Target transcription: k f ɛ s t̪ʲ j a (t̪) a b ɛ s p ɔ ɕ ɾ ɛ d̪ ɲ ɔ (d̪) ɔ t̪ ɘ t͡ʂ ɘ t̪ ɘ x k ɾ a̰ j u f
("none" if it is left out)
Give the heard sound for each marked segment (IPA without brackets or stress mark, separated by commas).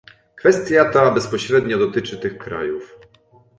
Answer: t̪, d̪